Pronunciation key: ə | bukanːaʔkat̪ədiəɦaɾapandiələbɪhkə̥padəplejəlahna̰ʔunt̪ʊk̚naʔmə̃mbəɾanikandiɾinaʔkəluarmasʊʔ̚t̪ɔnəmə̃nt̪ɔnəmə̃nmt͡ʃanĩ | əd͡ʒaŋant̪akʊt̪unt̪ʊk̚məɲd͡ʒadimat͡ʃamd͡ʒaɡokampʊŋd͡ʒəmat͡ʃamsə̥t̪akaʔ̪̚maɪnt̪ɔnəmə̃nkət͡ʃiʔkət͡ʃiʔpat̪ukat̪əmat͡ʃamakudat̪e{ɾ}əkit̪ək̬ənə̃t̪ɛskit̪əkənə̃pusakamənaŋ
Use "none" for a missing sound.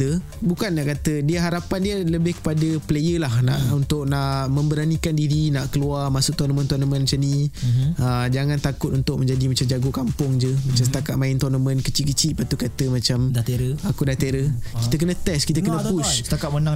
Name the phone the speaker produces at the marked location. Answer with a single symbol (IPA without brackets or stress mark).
ɾ